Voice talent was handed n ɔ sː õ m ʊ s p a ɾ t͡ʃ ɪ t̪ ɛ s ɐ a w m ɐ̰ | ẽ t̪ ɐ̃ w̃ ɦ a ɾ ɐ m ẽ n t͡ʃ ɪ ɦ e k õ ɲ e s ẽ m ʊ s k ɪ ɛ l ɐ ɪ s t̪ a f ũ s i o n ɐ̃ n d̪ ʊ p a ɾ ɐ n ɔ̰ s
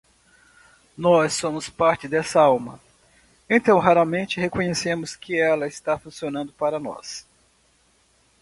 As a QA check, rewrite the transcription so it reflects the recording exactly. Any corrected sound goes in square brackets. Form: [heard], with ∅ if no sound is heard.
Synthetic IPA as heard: n ɔ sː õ m ʊ s p a ɾ t͡ʃ ɪ [d̪] ɛ s ɐ a w m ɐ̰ | ẽ t̪ ɐ̃ w̃ ɦ a ɾ ɐ m ẽ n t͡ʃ ɪ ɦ e k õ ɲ e s ẽ m ʊ s k ɪ ɛ l ɐ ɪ s t̪ a f ũ s i o n ɐ̃ n d̪ ʊ p a ɾ ɐ n ɔ̰ s

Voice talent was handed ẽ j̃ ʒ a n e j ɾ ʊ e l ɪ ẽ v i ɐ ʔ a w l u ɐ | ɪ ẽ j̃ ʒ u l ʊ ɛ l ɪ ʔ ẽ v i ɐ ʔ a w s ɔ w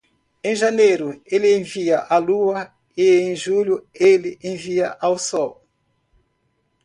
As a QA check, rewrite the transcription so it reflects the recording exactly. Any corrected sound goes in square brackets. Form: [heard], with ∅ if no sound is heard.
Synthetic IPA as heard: ẽ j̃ ʒ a n e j ɾ ʊ e l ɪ ẽ v i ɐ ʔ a [∅] l u ɐ | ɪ ẽ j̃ ʒ u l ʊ [e] l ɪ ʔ ẽ v i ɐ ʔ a w s ɔ w

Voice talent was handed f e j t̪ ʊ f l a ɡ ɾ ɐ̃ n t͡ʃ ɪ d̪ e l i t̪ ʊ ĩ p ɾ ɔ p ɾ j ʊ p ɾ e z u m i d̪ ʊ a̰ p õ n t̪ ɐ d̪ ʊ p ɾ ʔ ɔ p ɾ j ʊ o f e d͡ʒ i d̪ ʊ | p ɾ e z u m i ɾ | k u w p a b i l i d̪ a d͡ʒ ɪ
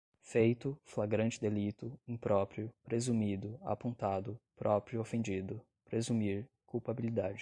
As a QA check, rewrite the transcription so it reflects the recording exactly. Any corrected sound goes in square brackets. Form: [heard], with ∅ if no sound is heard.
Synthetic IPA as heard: f e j t̪ ʊ f l a ɡ ɾ ɐ̃ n t͡ʃ ɪ d̪ e l i t̪ ʊ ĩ p ɾ ɔ p ɾ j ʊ p ɾ e z u m i d̪ ʊ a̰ p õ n t̪ [a] d̪ ʊ p ɾ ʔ ɔ p ɾ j ʊ o f [ẽ] d͡ʒ i d̪ ʊ | p ɾ e z u m i ɾ | k u w p a b i l i d̪ a d͡ʒ ɪ

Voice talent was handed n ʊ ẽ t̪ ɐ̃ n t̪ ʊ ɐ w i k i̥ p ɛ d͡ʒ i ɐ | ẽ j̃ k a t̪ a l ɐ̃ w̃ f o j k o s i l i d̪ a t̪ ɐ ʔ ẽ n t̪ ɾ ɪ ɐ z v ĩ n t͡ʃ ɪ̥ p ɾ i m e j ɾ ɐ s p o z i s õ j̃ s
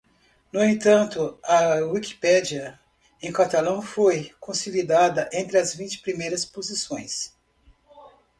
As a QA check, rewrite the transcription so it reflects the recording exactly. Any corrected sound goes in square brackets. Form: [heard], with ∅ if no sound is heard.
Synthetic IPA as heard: n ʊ ẽ t̪ ɐ̃ n t̪ ʊ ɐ w i k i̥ p ɛ d͡ʒ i ɐ | ẽ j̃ k a t̪ a l ɐ̃ w̃ f o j k [õ] s i l i d̪ a [d̪] ɐ ʔ ẽ n t̪ ɾ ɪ ɐ z v ĩ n t͡ʃ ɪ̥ p ɾ i m e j ɾ ɐ s p o z i s õ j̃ s

